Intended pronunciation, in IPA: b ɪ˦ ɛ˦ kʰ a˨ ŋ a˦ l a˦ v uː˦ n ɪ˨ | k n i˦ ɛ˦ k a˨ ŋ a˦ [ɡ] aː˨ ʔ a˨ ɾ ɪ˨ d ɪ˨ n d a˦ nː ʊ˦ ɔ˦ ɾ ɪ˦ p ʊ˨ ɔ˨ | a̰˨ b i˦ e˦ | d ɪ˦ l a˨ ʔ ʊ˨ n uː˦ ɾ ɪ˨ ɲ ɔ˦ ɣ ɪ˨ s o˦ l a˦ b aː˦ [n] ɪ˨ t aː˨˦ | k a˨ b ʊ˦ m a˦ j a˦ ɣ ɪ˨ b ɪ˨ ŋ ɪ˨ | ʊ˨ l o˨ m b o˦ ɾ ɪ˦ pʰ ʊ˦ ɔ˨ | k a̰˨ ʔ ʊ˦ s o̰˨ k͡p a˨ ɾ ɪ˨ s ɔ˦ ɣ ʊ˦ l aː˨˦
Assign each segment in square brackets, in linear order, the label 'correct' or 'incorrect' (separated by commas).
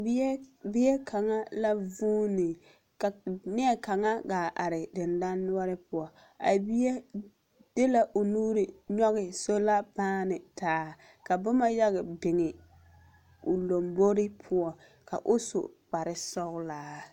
correct, correct